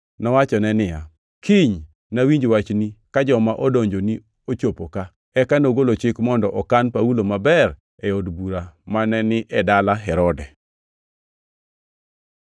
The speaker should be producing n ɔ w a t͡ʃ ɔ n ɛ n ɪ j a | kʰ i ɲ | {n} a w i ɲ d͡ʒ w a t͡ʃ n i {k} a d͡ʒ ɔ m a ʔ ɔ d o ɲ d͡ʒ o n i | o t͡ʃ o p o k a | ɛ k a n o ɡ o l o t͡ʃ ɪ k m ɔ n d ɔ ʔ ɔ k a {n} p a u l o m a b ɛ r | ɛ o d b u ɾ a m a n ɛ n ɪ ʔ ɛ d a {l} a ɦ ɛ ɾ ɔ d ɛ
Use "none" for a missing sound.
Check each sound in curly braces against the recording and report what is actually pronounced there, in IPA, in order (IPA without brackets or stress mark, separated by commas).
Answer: n, k, n, l